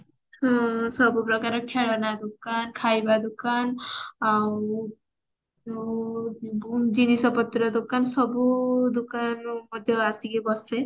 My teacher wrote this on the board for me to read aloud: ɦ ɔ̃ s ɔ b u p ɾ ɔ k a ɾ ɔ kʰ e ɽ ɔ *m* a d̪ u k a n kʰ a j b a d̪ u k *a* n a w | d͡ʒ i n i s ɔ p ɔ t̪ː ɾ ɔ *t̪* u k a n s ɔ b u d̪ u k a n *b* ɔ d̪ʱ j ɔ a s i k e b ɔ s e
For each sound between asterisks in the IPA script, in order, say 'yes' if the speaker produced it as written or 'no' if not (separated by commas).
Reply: no, yes, no, no